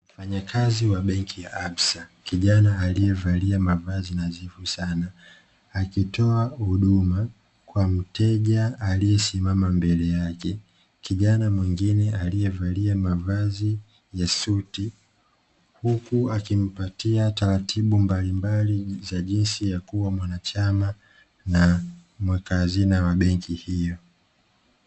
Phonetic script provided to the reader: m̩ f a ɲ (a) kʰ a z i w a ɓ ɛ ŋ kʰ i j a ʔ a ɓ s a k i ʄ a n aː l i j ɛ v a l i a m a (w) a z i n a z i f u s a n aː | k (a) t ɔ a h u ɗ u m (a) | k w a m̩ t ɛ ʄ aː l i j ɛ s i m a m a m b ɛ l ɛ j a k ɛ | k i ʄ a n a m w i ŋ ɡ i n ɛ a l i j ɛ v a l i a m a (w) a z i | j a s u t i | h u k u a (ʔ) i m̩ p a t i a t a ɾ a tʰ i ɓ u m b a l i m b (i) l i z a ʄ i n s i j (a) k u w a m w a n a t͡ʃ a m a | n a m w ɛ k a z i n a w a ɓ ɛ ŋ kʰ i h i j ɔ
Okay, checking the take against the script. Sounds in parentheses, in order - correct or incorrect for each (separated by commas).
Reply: correct, incorrect, incorrect, correct, incorrect, incorrect, incorrect, correct